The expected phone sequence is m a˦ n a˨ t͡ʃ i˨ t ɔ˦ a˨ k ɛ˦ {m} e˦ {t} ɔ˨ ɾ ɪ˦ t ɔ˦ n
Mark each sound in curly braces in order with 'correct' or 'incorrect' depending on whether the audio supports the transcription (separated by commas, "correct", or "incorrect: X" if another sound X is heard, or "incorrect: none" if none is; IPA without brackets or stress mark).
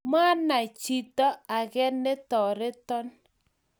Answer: incorrect: n, correct